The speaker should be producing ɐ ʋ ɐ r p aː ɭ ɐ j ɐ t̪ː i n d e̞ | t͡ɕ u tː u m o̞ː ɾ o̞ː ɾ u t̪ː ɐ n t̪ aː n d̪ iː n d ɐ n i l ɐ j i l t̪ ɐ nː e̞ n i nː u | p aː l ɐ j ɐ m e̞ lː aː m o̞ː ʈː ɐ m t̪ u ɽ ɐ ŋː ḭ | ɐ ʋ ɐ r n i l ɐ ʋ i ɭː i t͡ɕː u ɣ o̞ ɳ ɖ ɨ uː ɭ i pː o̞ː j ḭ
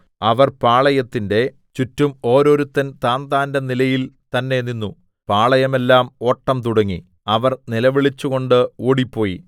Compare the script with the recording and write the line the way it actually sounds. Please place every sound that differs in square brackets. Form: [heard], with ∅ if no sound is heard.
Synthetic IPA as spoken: ɐ ʋ ɐ r p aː ɭ ɐ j ɐ t̪ː i n d e̞ | t͡ɕ u tː u m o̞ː ɾ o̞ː ɾ u t̪ː ɐ n t̪ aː n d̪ [aː] n d ɐ n i l ɐ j i l t̪ ɐ nː e̞ n i nː u | p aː [ɭ] ɐ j ɐ m e̞ lː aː m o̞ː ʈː ɐ m t̪ u ɽ ɐ ŋː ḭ | ɐ ʋ ɐ r n i l ɐ ʋ i [ɭ] i t͡ɕː u ɣ o̞ ɳ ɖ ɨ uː [ɽ] i pː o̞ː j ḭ